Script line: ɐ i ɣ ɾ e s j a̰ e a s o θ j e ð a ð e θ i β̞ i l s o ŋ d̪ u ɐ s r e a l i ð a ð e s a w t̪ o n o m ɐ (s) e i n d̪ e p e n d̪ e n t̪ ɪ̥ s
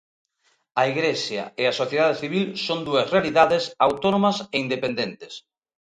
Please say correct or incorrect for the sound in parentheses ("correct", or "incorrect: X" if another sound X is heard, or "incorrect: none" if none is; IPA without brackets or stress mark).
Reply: correct